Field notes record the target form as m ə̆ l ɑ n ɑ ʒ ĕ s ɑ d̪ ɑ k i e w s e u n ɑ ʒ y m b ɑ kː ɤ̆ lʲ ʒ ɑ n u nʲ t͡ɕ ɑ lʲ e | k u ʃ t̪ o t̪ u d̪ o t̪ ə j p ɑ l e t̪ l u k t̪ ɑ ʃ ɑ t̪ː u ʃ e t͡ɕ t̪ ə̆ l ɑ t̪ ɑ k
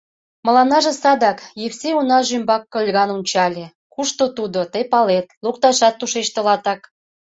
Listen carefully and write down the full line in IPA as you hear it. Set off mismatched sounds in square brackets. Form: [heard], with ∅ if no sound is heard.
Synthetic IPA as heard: m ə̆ l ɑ n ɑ ʒ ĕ s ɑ d̪ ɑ k [j] e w s e u n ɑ ʒ y m b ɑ kː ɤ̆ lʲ [ɣ] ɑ n u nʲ t͡ɕ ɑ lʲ e | k u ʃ t̪ o t̪ u d̪ o t̪ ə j p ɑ l e t̪ l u k t̪ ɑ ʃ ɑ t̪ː u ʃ e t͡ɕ t̪ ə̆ l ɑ t̪ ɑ k

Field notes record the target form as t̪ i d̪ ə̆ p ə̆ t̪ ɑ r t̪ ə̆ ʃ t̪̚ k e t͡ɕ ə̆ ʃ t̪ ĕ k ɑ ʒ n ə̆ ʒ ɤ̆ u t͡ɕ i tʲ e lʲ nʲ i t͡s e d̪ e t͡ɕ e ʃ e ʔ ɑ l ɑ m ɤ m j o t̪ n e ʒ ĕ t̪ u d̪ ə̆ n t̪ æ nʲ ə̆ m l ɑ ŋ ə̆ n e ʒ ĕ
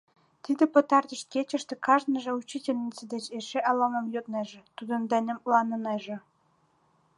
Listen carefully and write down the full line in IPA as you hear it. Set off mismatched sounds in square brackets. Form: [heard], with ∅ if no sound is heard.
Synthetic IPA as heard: t̪ i d̪ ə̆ p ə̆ t̪ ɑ r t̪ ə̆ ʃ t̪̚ k e t͡ɕ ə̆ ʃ t̪ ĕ k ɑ ʒ n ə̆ ʒ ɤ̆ u t͡ɕ i tʲ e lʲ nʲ i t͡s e d̪ e t͡ɕ e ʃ e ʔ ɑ l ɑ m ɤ m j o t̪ n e ʒ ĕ t̪ u d̪ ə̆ n [d̪] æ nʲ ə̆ m l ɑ [n] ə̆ n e ʒ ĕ

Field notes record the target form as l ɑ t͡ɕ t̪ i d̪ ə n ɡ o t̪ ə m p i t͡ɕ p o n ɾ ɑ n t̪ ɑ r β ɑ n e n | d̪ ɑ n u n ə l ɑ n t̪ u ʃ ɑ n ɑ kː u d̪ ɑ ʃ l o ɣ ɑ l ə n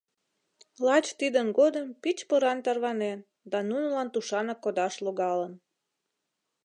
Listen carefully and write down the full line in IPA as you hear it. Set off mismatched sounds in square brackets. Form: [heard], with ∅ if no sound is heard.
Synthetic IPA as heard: l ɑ t͡ɕ t̪ i d̪ ə n ɡ o [d̪] ə m p i t͡ɕ p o [∅] ɾ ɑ n t̪ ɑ r β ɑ n e n | d̪ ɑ n u n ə l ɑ n t̪ u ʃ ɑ n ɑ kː [o] d̪ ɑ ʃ l o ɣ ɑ l ə n

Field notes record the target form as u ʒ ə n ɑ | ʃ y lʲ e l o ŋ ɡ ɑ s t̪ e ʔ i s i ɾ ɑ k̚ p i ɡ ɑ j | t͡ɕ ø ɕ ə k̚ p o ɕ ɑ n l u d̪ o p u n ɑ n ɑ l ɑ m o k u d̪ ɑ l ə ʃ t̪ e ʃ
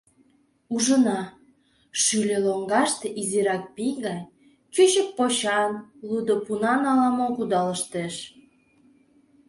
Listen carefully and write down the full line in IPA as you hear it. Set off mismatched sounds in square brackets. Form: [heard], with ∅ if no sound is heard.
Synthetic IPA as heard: u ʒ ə n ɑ | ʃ y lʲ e l o ŋ ɡ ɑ [ʃ] t̪ e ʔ i [z] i ɾ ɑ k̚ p i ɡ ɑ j | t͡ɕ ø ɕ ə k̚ p o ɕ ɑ n l u d̪ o p u n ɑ n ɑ l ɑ m o k u d̪ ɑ l ə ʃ t̪ e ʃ

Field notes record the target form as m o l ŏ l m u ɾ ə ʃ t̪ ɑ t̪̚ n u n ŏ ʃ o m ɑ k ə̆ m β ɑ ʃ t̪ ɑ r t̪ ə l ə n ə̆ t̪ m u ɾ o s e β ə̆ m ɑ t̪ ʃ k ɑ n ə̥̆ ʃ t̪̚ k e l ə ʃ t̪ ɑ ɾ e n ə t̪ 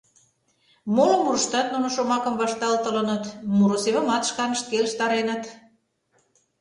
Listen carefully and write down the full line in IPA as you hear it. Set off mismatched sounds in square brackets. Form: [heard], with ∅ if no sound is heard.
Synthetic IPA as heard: m o l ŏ [∅] m u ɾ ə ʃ t̪ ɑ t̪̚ n u n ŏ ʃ o m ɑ k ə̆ m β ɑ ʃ t̪ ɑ [l] t̪ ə l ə n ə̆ t̪ m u ɾ o s e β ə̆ m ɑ t̪ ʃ k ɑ n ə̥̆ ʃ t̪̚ k e l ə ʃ t̪ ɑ ɾ e n ə t̪

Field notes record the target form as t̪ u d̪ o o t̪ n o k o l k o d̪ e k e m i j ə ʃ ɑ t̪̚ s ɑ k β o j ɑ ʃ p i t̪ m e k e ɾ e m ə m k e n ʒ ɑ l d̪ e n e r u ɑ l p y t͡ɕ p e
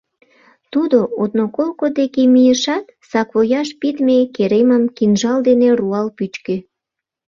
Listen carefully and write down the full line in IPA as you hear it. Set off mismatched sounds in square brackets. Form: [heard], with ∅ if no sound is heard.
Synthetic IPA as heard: t̪ u d̪ o o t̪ n o k o l k o d̪ e k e m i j ə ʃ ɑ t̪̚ s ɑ k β o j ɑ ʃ p i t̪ m e k e ɾ e m ə m k [i] n ʒ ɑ l d̪ e n e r u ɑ l p y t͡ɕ [k] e

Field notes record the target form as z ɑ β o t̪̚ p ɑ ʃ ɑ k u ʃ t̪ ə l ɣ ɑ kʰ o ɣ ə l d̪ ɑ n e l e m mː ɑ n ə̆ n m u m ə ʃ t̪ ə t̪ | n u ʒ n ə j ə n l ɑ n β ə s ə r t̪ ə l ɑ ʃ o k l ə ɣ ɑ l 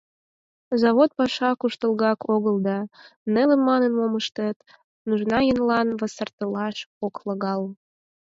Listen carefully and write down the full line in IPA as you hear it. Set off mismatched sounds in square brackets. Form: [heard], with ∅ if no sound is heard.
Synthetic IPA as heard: z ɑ β o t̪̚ p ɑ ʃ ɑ k u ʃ t̪ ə l ɣ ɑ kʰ o ɣ ə l d̪ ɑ n e l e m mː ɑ n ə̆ n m [o] m ə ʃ t̪ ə t̪ | n u ʒ n [ɑ] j ə n l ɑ n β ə s ə r t̪ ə l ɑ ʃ o k l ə ɣ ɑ l

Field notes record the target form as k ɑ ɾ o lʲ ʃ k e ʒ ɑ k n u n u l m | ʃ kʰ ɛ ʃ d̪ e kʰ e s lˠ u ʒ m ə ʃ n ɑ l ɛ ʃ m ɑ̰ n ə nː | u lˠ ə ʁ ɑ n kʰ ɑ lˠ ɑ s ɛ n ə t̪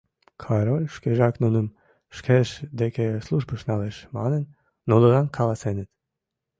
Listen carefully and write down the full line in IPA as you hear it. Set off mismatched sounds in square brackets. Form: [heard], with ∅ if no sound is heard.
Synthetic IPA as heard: [kʰ] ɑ ɾ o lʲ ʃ k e ʒ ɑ k n u n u [∅] m | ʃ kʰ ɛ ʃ d̪ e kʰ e s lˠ u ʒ [b] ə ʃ n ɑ l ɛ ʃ m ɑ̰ n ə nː | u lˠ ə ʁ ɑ n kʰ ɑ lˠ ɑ s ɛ n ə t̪

